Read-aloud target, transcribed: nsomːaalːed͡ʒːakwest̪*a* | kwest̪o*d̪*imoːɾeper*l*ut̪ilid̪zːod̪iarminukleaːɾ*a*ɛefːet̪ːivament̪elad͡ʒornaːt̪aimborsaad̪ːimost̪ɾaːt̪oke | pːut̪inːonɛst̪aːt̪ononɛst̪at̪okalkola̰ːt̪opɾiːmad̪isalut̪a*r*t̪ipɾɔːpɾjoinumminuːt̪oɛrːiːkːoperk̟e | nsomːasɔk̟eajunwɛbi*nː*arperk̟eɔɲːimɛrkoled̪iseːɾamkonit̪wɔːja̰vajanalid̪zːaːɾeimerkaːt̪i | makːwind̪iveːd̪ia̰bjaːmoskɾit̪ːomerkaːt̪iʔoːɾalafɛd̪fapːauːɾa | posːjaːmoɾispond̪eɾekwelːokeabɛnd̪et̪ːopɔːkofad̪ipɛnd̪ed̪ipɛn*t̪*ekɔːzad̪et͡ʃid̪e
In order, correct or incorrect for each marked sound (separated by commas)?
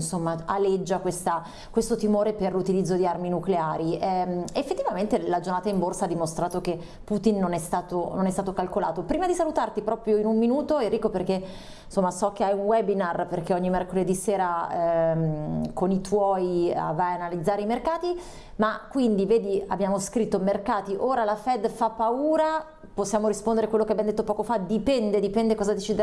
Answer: correct, incorrect, correct, incorrect, correct, incorrect, incorrect